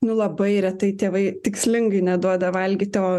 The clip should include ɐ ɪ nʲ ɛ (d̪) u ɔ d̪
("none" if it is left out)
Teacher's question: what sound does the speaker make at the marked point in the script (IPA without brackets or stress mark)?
d̪